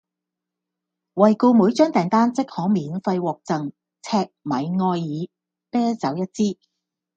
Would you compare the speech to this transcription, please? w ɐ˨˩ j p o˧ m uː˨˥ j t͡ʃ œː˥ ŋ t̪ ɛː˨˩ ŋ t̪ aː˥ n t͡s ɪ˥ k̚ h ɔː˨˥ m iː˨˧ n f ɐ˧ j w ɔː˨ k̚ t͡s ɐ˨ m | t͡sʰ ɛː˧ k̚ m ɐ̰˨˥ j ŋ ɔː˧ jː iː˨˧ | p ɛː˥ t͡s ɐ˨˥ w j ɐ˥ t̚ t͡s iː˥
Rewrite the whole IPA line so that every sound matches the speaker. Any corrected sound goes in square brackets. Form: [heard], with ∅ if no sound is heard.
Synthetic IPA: w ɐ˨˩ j [k] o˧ m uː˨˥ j t͡ʃ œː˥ ŋ t̪ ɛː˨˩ ŋ t̪ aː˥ n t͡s ɪ˥ k̚ h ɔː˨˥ m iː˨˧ n f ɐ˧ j w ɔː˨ k̚ t͡s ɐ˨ [ŋ] | t͡sʰ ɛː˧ k̚ m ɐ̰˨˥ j ŋ ɔː˧ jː iː˨˧ | p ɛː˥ t͡s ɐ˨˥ w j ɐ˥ t̚ t͡s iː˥

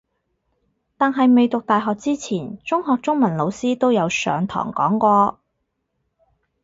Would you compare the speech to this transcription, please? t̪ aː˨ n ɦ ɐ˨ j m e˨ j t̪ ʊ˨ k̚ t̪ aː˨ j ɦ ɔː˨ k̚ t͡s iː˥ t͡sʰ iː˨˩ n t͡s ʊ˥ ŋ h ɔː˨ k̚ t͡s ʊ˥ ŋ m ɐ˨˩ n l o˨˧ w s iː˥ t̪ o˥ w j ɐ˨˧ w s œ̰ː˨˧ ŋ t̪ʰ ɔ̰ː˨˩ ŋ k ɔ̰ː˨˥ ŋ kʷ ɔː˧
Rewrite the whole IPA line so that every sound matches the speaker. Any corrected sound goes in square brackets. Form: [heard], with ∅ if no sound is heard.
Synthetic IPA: t̪ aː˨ n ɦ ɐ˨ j m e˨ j t̪ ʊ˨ k̚ t̪ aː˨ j ɦ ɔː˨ k̚ t͡s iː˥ t͡sʰ iː˨˩ n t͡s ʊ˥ ŋ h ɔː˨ k̚ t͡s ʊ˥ ŋ m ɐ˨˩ n l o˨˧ w s iː˥ t̪ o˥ w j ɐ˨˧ w s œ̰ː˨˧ ŋ t̪ʰ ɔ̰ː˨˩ ŋ k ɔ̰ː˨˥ ŋ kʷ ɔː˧

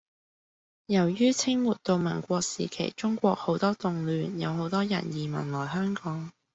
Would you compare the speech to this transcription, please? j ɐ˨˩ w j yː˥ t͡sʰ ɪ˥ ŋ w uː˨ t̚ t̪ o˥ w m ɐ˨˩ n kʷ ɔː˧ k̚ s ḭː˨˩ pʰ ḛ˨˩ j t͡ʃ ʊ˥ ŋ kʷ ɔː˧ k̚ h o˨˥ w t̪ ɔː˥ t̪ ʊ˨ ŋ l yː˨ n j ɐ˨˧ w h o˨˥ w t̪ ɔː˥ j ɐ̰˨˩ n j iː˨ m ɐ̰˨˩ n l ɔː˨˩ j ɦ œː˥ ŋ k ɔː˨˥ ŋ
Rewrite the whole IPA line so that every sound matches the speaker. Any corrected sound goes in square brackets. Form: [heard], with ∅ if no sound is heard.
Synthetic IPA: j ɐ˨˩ w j yː˥ t͡sʰ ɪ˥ ŋ w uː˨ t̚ t̪ [o˧] w m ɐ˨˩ n kʷ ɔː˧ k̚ s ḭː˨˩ [kʰ] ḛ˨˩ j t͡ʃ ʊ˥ ŋ kʷ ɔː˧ k̚ h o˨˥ w t̪ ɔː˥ t̪ ʊ˨ ŋ l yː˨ n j ɐ˨˧ w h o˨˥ w t̪ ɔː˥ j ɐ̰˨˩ n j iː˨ m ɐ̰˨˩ n l ɔː˨˩ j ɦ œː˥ ŋ k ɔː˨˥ ŋ

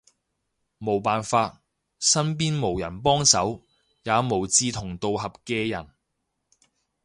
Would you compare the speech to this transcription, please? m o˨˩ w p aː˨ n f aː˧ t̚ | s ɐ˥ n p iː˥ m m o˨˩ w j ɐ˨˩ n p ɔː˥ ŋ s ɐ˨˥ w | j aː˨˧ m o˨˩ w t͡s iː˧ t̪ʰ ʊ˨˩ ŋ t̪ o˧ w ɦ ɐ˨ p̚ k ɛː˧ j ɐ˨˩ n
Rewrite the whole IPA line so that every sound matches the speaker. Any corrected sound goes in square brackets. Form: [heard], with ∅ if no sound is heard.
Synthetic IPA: m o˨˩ w p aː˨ n f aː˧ t̚ | s ɐ˥ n p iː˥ [n] m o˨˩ w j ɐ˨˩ n p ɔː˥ ŋ s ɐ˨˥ w | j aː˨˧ m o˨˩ w t͡s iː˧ t̪ʰ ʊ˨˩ ŋ t̪ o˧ w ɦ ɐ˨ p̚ k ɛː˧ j ɐ˨˩ n

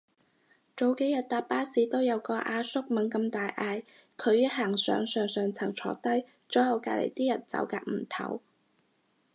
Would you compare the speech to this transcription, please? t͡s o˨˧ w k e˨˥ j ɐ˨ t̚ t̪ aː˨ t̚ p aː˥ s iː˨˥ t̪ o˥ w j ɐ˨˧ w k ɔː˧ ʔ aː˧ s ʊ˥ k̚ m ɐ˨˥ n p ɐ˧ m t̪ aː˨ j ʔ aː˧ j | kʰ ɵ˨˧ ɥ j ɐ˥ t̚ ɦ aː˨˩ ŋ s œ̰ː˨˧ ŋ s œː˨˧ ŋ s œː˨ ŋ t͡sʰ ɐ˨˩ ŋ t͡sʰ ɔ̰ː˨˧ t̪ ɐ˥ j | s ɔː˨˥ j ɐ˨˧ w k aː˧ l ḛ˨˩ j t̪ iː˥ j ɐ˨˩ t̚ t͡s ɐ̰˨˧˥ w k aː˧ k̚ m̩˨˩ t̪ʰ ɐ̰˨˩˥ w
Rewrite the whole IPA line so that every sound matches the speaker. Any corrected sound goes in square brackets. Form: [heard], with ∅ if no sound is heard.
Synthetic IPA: t͡s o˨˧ w k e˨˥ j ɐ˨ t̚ t̪ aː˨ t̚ p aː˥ s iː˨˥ t̪ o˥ w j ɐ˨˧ w k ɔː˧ ʔ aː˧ s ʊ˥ k̚ m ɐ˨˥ n [k] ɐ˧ m t̪ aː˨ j ʔ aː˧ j | kʰ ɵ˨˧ ɥ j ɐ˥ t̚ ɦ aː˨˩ ŋ s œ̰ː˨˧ ŋ s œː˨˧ ŋ s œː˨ ŋ t͡sʰ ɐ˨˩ ŋ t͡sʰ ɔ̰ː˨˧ t̪ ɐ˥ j | [t͡s] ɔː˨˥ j ɐ˨˧ w k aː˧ l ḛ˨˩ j t̪ iː˥ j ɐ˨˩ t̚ t͡s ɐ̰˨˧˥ w k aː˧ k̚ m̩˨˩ t̪ʰ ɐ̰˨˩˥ w

